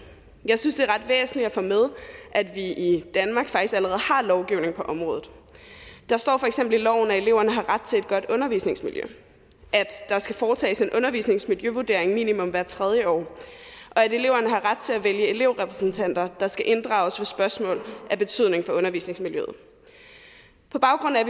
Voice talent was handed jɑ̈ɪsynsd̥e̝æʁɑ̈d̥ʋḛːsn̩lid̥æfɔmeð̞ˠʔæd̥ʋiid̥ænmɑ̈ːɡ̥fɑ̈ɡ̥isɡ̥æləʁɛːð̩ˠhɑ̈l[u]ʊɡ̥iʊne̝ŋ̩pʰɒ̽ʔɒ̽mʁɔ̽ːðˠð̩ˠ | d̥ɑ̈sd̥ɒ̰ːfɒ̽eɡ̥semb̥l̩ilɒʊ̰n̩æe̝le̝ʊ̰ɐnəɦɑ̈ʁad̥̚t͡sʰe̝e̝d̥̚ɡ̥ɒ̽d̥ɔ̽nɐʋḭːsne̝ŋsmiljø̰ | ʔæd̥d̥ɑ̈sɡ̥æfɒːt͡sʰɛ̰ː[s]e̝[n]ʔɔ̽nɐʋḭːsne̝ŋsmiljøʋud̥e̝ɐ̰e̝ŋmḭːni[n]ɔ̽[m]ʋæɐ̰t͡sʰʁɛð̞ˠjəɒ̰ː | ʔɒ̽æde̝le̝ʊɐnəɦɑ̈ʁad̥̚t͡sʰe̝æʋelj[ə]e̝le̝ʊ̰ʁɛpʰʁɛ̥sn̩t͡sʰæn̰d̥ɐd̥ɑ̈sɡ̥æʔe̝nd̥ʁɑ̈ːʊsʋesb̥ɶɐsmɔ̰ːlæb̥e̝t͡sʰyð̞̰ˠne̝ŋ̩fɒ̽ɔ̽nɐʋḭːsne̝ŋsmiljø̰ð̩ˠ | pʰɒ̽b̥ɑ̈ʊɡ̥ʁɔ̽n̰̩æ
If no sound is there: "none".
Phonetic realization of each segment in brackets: ɒ, s, n, m, m, ə

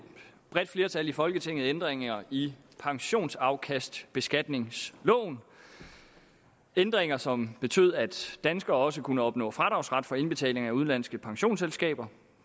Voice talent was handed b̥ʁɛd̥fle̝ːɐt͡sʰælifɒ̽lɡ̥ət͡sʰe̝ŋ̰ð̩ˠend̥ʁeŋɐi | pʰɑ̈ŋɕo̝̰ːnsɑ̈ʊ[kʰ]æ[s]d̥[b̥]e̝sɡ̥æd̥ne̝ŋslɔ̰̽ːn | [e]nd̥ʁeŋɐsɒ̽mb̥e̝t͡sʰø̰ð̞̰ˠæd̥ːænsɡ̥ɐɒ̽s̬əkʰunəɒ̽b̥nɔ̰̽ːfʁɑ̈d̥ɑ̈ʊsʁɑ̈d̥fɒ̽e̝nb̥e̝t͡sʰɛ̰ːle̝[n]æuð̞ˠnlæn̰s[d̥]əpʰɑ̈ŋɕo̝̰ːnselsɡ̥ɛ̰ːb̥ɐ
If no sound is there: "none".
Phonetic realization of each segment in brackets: kʰ, s, b̥, e, ŋ, ɡ̥

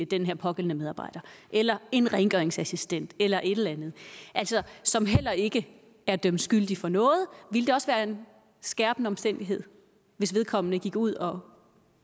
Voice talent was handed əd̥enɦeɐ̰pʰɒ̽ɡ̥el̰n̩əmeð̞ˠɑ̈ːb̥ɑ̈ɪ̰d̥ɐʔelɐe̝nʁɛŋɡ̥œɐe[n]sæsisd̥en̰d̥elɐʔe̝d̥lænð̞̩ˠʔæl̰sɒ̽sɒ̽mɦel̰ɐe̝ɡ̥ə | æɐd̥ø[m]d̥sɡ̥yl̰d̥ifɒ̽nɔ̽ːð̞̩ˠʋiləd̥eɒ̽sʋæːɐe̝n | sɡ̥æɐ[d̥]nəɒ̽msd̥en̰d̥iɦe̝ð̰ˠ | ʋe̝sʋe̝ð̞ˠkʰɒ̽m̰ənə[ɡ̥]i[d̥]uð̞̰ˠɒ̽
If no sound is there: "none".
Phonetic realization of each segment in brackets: ŋ, m, b̥, ɡ̥, ɡ̥

